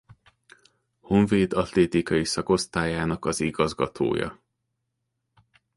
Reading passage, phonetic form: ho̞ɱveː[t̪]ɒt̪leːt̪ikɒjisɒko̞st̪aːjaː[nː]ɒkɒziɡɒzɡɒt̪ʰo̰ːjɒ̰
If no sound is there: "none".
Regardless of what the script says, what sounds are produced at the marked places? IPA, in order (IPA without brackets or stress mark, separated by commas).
d̪, n